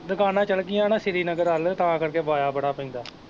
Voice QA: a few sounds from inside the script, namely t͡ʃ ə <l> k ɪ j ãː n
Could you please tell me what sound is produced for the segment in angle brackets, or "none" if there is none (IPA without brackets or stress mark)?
l